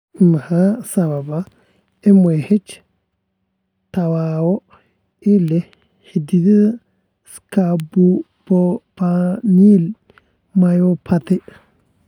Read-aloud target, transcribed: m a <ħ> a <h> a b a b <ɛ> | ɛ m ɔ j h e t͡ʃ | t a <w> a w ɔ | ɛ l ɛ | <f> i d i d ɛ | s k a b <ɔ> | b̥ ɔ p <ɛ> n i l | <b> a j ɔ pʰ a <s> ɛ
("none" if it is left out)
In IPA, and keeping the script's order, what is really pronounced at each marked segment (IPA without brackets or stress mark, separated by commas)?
h, s, a, w, h, u, a, m, t